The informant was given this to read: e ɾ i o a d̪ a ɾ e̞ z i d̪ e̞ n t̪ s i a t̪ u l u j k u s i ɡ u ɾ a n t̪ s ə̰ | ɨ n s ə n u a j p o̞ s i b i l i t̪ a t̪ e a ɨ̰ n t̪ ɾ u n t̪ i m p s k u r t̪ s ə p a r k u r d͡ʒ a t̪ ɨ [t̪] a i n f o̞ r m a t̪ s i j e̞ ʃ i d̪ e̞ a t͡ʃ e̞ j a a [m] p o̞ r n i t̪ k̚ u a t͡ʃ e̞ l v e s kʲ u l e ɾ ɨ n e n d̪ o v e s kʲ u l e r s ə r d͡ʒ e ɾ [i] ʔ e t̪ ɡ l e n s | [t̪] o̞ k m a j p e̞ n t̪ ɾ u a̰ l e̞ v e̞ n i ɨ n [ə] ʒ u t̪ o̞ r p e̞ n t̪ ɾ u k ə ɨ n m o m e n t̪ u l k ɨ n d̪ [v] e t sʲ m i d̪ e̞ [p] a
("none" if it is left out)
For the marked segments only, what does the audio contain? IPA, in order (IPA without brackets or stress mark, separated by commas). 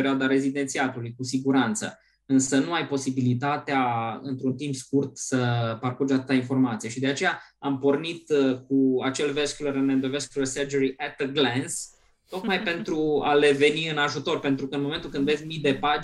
t̪, m, i, t̪, a, v, p